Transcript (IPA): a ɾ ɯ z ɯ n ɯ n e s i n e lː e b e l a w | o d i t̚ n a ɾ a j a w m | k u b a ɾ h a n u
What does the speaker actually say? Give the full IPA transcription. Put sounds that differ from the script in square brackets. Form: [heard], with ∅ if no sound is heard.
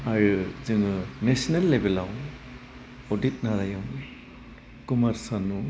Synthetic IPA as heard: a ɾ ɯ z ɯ [ŋ] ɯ n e s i n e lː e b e l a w | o d i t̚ n a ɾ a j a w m | k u [m] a ɾ [s] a n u